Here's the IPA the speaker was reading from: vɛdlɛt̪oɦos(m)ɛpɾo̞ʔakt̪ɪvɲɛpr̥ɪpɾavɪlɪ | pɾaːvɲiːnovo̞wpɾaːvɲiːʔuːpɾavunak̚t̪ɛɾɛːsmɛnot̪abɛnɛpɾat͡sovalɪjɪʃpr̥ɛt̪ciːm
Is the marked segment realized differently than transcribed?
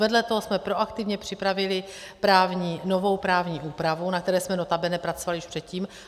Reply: no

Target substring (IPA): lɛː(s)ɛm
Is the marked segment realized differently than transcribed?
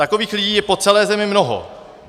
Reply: yes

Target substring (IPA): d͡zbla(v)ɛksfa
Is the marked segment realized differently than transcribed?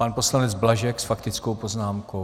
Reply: yes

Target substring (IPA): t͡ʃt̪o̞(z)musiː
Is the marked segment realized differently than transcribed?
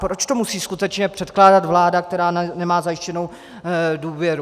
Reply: yes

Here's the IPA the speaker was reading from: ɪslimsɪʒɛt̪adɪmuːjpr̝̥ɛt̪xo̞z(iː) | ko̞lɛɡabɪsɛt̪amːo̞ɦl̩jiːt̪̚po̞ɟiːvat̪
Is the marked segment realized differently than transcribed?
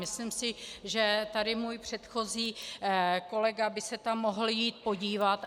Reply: no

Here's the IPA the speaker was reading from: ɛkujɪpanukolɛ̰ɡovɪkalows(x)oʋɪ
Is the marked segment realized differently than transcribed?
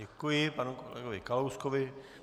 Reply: yes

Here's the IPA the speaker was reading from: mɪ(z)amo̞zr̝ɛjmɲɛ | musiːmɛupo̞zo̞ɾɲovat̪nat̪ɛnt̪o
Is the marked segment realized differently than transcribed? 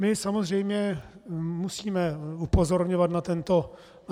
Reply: yes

